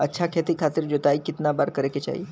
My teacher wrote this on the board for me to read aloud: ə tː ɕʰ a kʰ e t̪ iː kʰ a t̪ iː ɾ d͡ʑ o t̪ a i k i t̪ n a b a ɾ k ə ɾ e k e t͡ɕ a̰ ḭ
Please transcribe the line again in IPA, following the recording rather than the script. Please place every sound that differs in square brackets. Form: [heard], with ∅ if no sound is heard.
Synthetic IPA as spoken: ə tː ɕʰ a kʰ e t̪ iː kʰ a t̪ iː ɾ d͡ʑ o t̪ a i k i t̪ n a b a ɾ k ə ɾ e k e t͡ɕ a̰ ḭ